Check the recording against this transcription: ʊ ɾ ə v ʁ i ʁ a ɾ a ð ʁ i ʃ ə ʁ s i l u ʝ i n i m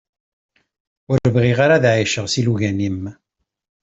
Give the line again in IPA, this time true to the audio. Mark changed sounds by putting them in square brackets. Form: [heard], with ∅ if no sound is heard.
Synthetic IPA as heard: ʊ ɾ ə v ʁ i ʁ a ɾ a ð [ʕ] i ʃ ə ʁ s i l u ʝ [æ] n i m